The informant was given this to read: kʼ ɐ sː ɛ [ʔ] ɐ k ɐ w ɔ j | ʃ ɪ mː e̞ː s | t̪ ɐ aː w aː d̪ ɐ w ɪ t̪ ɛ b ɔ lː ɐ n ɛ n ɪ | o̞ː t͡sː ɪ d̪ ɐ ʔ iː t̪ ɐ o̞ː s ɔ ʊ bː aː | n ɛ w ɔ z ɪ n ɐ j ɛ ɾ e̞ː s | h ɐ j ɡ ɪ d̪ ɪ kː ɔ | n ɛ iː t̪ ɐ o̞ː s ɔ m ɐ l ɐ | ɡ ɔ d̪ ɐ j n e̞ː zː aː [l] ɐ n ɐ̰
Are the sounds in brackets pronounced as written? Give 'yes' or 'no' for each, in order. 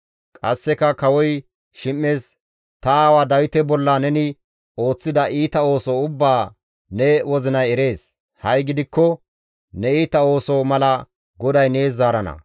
no, no

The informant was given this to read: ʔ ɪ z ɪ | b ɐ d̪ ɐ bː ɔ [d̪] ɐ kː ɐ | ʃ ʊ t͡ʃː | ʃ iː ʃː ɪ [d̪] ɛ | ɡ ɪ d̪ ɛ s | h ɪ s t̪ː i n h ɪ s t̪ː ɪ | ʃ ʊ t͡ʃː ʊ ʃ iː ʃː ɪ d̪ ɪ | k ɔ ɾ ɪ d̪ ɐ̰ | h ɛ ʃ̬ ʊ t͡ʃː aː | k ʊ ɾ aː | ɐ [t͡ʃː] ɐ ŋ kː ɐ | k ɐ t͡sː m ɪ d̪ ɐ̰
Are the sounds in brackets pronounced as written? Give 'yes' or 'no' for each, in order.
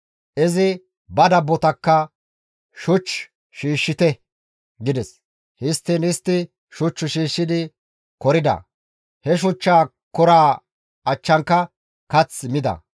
no, no, yes

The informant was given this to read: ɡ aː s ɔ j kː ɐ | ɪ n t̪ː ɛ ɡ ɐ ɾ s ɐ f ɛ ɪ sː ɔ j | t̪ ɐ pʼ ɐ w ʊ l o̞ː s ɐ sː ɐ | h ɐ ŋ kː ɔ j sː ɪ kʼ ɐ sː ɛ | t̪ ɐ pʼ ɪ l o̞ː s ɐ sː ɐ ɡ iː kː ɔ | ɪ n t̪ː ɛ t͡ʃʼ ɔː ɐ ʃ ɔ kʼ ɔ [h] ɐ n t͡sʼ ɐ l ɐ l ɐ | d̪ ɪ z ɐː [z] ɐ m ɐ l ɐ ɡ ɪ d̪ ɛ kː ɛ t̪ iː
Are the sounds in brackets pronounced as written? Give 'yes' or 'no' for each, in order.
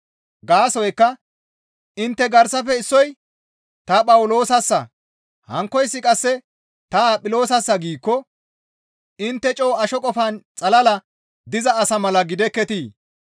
no, no

